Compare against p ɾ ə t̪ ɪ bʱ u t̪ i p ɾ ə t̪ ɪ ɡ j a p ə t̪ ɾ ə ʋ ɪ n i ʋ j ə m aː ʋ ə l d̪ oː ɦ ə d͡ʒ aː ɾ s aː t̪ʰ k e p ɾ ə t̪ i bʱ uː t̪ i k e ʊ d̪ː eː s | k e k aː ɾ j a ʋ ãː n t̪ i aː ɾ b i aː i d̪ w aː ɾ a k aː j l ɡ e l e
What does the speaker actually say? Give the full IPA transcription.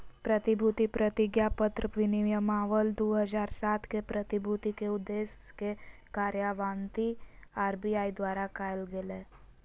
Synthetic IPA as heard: p ɾ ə t̪ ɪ bʱ u t̪ i p ɾ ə t̪ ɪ ɡ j a p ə t̪ ɾ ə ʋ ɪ n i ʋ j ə m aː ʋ ə l d̪ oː ɦ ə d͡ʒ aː ɾ s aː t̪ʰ k e p ɾ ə t̪ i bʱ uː t̪ i k e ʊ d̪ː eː s | k e k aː ɾ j a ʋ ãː n t̪ i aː ɾ b i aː i d̪ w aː ɾ a k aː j l ɡ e l e